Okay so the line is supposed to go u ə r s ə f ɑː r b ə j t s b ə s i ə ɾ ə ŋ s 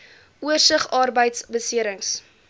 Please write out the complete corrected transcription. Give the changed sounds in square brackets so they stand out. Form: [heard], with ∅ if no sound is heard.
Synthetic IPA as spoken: u ə r s ə [χ] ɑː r b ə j t s b ə s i ə ɾ ə ŋ s